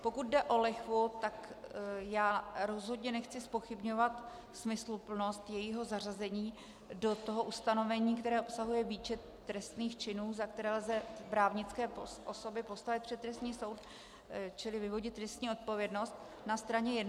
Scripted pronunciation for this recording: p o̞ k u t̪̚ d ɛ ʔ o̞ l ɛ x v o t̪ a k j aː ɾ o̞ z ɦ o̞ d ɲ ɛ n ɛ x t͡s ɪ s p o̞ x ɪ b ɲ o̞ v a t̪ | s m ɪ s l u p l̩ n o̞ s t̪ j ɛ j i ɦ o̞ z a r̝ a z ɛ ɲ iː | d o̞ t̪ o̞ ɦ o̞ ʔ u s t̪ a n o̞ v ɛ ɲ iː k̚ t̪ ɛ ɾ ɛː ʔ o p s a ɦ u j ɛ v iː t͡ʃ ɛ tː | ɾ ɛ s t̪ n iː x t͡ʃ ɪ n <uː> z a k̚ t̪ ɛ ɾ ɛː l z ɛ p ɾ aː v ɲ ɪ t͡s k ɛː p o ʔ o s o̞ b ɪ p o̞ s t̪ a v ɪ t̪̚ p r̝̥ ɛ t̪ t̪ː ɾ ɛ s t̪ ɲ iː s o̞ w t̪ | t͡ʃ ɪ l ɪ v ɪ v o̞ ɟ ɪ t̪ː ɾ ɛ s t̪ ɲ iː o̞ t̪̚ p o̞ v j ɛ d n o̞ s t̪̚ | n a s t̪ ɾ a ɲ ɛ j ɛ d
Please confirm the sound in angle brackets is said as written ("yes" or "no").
yes